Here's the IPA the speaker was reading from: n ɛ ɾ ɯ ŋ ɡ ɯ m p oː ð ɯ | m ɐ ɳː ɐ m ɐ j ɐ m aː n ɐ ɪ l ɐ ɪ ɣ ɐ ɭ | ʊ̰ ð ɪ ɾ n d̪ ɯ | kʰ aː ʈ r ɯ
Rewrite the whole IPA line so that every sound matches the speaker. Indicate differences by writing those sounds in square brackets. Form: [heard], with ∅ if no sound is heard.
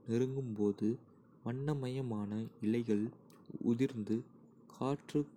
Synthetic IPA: n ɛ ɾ ɯ ŋ ɡ ɯ m p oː ð ɯ | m ɐ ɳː ɐ m ɐ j ɐ m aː n ɐ ɪ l ɐ ɪ ɣ ɐ ɭ | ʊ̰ ð ɪ ɾ n d̪ ɯ | kʰ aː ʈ r ɯ